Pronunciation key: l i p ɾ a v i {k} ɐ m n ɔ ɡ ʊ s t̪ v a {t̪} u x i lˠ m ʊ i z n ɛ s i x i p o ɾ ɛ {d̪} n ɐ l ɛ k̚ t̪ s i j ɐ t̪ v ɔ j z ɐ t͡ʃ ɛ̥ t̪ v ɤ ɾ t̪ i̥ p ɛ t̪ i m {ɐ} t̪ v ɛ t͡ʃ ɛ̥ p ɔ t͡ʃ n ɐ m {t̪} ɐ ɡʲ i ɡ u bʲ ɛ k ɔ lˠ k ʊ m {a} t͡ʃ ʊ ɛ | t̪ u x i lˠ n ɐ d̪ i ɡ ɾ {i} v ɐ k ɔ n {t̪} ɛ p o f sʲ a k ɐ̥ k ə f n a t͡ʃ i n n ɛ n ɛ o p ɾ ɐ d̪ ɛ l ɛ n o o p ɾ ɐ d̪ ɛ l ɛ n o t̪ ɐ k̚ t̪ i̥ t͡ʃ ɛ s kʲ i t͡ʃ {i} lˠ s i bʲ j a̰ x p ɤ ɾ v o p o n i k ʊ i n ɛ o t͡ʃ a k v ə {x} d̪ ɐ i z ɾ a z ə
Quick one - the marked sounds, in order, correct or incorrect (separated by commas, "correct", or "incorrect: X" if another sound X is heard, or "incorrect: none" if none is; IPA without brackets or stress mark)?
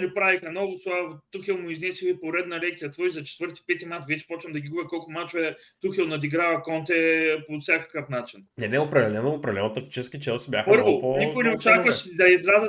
incorrect: x, correct, correct, incorrect: a, incorrect: d̪, correct, incorrect: a, correct, incorrect: ɛ, incorrect: ʃ